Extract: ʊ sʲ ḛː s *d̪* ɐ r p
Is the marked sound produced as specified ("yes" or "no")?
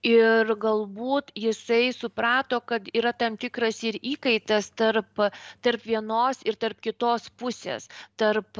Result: no